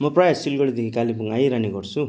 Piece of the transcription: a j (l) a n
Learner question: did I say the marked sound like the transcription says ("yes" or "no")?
no